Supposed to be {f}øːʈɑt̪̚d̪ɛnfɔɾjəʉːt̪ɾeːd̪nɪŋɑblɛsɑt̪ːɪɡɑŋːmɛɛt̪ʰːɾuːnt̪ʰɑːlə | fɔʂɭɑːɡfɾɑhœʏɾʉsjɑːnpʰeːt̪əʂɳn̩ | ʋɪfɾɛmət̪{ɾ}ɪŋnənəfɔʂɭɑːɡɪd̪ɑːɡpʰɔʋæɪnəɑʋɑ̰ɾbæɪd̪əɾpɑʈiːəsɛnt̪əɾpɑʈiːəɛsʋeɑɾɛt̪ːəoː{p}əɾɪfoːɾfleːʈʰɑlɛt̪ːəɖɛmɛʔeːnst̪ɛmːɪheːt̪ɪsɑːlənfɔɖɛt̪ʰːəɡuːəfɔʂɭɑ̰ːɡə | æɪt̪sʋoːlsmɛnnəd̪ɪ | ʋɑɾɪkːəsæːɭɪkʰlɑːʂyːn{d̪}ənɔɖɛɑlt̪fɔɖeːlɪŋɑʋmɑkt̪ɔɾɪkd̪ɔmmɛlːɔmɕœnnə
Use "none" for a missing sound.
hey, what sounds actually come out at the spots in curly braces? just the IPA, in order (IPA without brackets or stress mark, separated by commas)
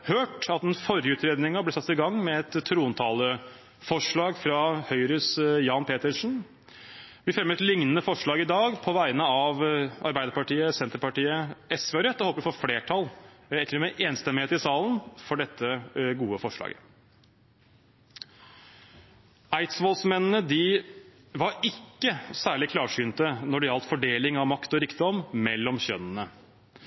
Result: h, l, p, t̪